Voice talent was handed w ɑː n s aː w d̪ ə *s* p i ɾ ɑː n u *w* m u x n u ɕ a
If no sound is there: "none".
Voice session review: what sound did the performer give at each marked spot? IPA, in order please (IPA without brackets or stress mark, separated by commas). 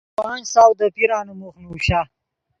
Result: none, none